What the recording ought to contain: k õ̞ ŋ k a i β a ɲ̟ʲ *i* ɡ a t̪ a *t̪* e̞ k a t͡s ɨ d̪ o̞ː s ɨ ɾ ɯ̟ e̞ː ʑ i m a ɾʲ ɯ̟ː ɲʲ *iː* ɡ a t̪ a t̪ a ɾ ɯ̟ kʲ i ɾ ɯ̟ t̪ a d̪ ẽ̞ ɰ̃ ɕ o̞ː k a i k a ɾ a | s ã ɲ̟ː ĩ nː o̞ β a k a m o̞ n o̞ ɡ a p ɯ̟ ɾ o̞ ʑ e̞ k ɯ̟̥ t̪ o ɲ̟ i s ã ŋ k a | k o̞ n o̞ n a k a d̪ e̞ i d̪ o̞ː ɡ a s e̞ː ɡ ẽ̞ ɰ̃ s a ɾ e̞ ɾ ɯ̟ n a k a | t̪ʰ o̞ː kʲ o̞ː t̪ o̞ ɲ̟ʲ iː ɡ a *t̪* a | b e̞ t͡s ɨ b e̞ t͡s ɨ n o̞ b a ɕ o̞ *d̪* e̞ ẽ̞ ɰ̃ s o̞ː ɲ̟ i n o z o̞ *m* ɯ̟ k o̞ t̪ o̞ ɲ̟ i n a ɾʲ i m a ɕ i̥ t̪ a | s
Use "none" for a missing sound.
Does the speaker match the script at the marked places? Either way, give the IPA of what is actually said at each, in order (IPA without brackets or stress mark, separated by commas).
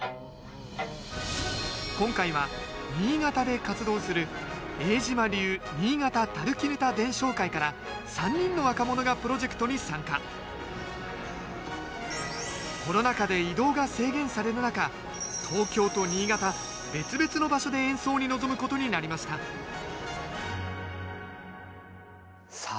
iː, d̪, iː, t̪, d̪, m